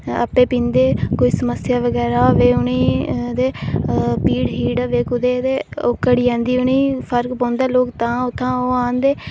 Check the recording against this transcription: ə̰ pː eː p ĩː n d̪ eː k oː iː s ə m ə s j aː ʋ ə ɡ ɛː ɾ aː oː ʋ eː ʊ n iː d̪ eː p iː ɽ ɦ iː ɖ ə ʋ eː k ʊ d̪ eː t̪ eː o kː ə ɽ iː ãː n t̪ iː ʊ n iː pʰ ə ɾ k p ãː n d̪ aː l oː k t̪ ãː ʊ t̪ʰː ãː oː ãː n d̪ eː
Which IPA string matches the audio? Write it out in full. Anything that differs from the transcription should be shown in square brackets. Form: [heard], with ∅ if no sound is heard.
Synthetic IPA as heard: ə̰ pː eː p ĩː n d̪ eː k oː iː s ə m ə s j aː ʋ ə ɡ ɛː ɾ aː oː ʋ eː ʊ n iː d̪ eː p iː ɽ ɦ iː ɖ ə ʋ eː k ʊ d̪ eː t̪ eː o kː ə ɽ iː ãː n [d̪] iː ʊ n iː pʰ ə ɾ k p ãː n d̪ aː l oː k t̪ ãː ʊ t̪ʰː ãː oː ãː n d̪ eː

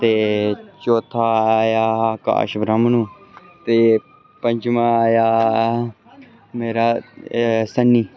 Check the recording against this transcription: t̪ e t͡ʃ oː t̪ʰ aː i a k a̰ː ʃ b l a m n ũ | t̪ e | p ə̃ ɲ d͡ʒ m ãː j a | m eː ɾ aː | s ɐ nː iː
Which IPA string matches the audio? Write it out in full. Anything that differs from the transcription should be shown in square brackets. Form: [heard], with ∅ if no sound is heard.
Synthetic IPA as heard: t̪ e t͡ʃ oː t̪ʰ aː [j] a k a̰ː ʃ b [ɾ] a m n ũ | t̪ e | p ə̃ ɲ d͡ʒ m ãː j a | m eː ɾ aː | s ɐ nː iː

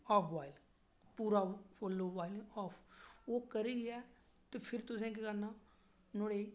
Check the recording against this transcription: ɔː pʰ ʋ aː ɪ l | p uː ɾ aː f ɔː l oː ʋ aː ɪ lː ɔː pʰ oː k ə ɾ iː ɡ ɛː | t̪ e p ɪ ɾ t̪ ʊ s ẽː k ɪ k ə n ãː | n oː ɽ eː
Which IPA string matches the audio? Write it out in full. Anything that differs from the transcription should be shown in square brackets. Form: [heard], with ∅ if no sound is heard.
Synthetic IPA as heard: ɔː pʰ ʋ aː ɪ l | p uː ɾ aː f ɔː l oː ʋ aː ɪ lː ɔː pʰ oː k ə ɾ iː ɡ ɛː | t̪ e [pʰ] ɪ ɾ t̪ ʊ s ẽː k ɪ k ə n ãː | n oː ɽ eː

